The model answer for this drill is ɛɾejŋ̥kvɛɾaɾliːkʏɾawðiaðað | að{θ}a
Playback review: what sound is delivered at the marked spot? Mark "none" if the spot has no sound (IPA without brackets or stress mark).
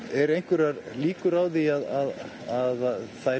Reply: θ